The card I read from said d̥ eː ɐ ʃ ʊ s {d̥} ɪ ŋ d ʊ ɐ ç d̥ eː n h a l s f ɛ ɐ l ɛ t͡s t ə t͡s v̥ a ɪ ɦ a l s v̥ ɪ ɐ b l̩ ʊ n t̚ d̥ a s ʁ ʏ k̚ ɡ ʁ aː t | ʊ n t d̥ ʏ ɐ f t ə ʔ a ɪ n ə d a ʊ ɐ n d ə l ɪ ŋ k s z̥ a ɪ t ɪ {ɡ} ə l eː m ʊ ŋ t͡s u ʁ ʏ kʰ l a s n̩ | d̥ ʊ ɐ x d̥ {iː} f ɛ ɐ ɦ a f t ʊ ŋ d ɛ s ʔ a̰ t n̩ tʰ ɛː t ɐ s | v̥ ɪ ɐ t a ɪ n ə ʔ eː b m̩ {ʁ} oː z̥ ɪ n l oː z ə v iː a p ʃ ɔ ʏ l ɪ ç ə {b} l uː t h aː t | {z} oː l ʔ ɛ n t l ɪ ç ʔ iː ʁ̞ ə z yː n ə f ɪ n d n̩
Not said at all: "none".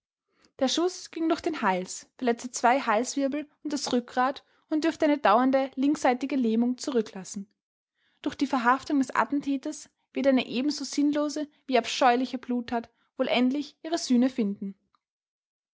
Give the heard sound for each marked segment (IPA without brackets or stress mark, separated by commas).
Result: ɡ̥, ɡ, iː, z, b, v